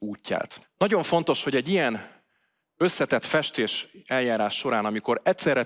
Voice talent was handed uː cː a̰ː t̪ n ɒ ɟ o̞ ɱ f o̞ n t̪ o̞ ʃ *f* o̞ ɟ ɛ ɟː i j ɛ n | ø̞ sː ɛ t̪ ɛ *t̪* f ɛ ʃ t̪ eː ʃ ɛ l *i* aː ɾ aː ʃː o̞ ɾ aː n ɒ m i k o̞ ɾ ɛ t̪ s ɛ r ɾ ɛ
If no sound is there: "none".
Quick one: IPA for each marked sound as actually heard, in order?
h, t̪, j

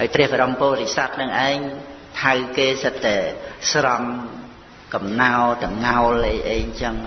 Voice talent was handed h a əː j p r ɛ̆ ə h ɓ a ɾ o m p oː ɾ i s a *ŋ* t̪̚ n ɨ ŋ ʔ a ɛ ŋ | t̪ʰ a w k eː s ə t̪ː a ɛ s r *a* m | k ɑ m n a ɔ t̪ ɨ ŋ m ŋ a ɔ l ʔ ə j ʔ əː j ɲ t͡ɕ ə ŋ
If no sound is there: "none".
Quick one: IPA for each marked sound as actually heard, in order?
none, ɑ

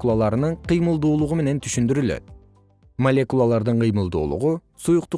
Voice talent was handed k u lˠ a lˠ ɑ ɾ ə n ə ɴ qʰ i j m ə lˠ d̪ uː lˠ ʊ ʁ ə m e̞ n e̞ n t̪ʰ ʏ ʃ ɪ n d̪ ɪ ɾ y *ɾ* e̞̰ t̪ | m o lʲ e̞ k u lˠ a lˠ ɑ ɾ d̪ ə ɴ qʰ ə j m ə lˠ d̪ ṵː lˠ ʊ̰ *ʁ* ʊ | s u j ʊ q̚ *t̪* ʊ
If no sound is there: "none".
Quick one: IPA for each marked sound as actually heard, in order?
l, ʁ, t̪

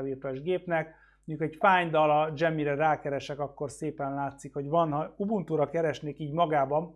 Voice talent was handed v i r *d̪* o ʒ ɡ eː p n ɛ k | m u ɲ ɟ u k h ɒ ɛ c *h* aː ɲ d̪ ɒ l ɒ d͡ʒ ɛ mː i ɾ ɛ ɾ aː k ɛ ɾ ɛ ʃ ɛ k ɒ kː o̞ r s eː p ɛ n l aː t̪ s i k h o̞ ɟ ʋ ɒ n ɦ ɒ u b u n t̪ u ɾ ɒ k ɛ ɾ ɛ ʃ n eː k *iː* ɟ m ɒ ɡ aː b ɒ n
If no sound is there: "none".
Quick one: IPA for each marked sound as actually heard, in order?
t̪, f, iː

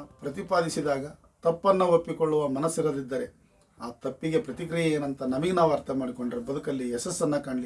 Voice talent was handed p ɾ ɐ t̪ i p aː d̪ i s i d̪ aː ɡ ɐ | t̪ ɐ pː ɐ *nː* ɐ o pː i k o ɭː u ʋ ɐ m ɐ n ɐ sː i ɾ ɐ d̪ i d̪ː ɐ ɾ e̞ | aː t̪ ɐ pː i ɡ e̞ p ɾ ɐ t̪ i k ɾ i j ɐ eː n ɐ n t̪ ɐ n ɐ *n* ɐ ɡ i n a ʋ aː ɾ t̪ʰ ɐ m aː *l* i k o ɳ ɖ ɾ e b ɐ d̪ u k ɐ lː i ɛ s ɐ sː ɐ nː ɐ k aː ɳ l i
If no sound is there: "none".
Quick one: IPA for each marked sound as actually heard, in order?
nː, m, ɽ

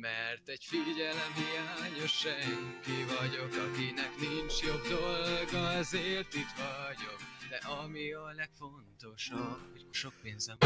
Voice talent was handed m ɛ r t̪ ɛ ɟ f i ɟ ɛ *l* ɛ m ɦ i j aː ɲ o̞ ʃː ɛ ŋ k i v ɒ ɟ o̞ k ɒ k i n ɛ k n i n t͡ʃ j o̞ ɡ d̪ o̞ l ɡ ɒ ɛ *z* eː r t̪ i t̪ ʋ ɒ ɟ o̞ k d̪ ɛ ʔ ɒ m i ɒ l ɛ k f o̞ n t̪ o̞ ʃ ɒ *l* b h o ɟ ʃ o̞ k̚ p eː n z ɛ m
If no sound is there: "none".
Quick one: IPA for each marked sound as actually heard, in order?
l, z, none

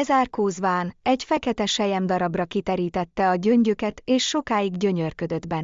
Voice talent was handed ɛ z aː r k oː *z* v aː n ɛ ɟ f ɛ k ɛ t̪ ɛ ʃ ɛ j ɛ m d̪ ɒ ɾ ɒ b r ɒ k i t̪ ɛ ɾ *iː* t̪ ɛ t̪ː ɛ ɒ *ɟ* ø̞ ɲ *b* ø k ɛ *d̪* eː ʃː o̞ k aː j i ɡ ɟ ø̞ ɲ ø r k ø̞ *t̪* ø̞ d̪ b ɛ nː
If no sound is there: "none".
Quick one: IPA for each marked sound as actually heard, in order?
z, iː, ɟ, ɟ, t̪, d̪

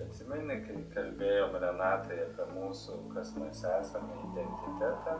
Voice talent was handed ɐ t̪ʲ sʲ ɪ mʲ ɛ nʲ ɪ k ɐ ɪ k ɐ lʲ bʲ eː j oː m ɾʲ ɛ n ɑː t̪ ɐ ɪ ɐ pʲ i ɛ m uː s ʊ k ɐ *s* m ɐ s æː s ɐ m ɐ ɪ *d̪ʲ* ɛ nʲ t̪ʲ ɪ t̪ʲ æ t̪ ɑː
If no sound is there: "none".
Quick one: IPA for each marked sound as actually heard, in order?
s, d̪ʲ

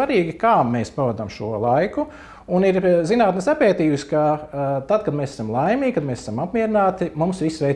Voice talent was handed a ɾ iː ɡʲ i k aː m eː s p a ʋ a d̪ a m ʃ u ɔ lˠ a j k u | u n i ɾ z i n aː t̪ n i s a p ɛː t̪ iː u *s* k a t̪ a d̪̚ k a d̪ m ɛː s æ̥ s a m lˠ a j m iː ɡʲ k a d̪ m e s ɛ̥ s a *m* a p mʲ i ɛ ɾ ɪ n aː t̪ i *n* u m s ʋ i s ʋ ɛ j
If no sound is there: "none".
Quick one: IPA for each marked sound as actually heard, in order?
s, m, m

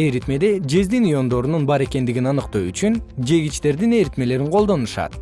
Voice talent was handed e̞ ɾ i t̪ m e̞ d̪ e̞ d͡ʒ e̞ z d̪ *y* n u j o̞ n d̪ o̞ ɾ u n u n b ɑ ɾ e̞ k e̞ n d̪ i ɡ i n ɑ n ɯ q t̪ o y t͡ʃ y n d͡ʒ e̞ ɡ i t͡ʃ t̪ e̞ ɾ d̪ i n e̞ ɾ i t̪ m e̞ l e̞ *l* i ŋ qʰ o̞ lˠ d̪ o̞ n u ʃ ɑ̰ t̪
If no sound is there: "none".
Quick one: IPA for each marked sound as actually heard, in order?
i, ɾ

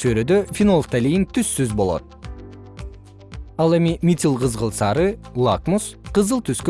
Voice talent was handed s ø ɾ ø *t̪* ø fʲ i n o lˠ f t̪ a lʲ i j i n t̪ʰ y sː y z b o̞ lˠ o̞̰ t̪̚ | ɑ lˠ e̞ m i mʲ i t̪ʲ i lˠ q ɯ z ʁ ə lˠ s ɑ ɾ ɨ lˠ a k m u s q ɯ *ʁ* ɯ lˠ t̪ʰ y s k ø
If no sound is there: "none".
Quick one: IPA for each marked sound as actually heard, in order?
d̪, z

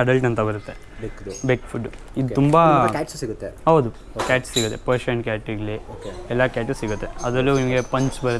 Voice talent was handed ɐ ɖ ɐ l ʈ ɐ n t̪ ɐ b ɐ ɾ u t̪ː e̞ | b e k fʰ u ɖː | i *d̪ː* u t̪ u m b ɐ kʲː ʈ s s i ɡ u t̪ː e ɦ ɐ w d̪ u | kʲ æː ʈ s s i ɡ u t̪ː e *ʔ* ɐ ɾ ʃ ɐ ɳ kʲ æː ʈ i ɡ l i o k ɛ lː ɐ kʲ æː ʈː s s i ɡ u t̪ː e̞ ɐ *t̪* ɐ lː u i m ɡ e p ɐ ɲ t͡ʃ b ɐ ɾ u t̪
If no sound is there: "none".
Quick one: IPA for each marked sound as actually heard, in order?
d̪, p, d̪

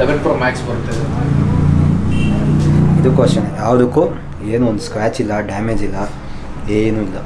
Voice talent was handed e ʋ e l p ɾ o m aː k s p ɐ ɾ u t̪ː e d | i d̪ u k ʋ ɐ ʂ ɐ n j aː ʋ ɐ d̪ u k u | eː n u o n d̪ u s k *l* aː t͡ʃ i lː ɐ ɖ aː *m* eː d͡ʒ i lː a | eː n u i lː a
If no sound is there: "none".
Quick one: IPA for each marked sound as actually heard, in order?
ɾ, m

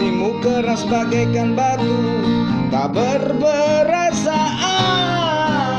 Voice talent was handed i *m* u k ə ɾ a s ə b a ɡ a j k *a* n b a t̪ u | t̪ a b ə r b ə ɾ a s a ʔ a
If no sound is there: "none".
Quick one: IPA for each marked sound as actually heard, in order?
m, a

